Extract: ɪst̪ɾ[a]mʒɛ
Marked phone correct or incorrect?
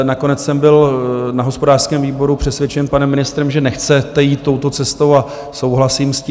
incorrect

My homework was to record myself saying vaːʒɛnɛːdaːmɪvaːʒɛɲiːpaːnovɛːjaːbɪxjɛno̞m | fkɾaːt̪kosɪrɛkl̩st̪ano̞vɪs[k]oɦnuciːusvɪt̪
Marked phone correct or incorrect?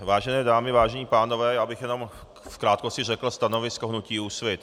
correct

